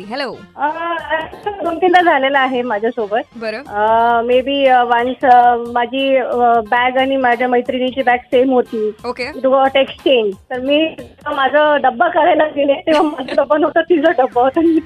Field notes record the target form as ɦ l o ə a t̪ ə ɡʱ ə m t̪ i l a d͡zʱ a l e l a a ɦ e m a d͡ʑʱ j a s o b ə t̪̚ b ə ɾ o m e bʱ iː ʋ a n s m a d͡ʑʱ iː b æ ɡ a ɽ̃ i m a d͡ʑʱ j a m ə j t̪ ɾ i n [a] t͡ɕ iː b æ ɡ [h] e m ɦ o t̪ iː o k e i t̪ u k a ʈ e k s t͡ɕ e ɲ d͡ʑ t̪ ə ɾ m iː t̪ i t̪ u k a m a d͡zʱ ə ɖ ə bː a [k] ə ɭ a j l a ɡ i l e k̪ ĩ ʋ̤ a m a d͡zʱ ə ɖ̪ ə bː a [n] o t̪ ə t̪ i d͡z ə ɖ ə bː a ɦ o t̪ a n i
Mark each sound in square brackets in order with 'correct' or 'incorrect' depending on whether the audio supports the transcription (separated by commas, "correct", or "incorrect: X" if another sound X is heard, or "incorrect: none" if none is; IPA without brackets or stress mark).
incorrect: i, incorrect: s, correct, correct